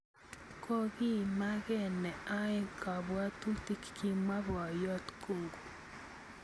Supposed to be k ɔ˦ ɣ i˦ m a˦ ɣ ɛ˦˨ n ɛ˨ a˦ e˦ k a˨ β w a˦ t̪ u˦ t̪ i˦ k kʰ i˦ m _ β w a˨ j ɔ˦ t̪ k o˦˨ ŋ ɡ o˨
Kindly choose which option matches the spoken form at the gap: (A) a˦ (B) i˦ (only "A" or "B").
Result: A